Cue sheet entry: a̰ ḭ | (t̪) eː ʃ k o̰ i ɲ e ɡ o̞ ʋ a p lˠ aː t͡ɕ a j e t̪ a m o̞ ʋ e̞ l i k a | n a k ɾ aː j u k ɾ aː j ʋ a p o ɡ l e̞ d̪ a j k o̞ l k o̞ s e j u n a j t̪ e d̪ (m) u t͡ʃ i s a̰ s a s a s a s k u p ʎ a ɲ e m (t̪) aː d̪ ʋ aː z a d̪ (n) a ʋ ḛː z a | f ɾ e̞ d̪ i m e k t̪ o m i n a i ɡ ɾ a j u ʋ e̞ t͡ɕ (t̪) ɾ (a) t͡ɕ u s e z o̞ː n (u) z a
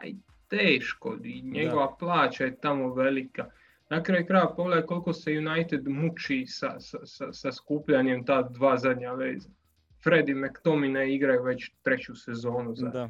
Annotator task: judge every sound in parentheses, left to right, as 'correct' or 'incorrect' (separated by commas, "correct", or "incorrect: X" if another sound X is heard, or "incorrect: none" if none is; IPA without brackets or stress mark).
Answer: correct, correct, correct, incorrect: ɲ, correct, incorrect: e, correct